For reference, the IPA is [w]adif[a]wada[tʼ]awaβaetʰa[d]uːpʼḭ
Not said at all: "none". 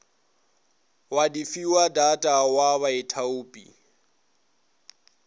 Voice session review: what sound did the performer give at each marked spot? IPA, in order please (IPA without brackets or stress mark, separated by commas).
w, i, tʼ, none